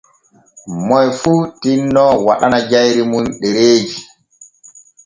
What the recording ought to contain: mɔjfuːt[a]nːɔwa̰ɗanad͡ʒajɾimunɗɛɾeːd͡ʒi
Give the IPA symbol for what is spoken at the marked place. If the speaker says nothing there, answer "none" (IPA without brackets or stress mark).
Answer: i